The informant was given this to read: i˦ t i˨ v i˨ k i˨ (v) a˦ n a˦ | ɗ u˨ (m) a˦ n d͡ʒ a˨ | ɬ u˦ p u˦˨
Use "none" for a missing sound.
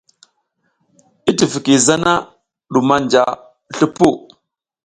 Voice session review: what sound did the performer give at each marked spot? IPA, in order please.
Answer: z, m

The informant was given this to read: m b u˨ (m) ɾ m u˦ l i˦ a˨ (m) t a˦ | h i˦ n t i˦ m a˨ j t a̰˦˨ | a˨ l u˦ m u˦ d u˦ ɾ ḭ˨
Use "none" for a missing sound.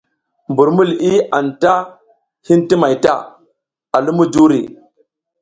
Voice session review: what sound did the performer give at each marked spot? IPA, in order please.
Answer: none, n

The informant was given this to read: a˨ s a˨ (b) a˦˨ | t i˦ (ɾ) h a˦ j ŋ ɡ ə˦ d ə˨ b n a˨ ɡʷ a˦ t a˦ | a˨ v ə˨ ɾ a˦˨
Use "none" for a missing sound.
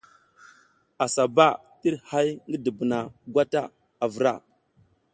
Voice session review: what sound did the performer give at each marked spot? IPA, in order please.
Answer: b, ɾ

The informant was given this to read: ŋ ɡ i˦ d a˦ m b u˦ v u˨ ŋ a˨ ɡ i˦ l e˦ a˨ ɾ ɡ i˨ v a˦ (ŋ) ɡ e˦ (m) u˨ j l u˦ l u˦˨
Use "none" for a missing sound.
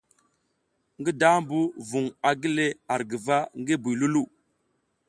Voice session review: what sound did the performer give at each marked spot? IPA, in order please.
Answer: ŋ, b

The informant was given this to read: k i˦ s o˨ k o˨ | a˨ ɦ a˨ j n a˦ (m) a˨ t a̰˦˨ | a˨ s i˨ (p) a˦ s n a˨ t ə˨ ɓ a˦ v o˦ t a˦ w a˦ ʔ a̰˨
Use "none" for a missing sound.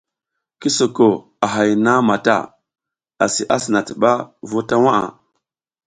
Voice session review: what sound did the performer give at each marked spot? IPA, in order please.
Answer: m, ʔ

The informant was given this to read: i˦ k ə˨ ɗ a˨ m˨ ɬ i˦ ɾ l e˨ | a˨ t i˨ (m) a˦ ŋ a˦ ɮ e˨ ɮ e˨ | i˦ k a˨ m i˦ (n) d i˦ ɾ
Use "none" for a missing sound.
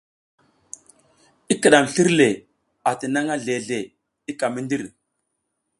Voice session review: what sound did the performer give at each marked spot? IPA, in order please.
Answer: n, n

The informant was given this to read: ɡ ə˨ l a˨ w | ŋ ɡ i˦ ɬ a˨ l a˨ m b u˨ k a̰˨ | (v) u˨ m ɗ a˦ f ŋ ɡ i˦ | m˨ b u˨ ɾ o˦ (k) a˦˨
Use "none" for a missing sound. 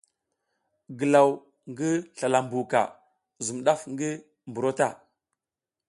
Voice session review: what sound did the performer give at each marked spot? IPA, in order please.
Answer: z, t

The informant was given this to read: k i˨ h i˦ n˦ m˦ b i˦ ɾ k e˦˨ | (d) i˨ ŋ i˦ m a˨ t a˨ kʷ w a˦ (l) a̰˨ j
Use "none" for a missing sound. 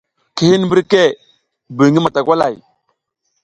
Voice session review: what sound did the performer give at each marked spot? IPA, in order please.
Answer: b, l

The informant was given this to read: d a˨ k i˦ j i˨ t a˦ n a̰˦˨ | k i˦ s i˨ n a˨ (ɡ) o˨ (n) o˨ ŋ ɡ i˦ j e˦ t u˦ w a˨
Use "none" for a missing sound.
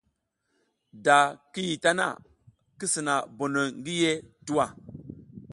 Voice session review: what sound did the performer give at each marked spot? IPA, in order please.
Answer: b, n

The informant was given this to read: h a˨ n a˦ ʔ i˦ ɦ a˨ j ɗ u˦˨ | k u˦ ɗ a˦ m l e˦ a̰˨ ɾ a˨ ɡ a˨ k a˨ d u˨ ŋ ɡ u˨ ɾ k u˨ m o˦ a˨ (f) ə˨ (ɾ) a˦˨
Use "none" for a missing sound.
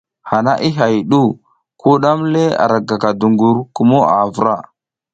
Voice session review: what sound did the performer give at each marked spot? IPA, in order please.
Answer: v, ɾ

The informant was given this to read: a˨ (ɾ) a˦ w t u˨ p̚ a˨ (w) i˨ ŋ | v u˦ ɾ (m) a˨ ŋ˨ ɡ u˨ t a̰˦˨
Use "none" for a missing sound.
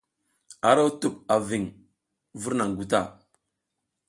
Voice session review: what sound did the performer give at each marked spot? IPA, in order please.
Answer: ɾ, v, n

